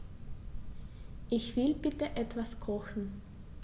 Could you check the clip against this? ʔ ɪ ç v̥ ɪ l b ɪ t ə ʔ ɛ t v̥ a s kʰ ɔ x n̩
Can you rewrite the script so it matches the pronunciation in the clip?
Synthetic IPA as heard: ʔ ɪ ç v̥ ɪ l b ɪ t ə ʔ ɛ t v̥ a s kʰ ɔ x n̩